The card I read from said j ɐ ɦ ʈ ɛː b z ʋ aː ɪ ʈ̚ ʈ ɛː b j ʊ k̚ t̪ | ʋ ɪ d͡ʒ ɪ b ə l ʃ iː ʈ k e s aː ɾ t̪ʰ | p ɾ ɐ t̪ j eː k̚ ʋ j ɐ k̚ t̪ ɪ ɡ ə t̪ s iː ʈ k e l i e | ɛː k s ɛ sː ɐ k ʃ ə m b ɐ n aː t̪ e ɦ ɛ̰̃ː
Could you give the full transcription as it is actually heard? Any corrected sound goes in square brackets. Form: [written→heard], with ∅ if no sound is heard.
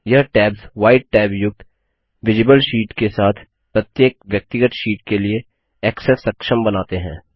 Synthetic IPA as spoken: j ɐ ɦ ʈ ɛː b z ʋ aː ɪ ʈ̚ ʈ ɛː b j ʊ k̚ t̪ | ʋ ɪ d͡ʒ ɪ b ə l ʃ iː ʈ k e s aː [ɾ→∅] t̪ʰ | p ɾ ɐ t̪ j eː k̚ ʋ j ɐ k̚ t̪ ɪ ɡ ə t̪ [s→ʃ] iː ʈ k e l i e | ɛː k s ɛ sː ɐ k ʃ ə m b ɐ n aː t̪ e ɦ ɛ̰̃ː